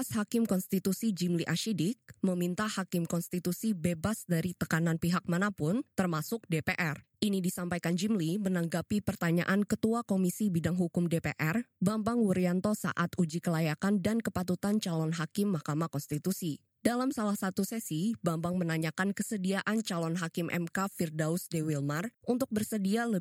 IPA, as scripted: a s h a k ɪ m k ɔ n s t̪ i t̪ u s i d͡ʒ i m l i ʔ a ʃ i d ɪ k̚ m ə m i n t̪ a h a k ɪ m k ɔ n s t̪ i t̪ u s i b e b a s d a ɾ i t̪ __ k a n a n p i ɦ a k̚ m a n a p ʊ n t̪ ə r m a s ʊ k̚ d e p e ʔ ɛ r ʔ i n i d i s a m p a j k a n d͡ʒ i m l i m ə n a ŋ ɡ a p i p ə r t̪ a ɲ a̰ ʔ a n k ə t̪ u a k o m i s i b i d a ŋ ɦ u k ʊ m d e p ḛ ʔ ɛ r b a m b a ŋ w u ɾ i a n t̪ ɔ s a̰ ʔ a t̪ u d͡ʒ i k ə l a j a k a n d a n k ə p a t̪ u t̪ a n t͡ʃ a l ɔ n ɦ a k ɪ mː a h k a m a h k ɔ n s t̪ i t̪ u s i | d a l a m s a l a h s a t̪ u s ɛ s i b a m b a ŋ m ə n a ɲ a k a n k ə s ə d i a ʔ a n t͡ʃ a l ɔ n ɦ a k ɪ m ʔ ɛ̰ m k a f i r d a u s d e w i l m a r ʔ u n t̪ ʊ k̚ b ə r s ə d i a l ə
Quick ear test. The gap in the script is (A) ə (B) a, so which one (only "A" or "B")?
A